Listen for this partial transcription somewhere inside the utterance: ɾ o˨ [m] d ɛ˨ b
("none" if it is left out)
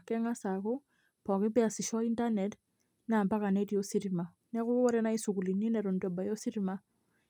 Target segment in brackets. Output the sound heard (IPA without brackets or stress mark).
n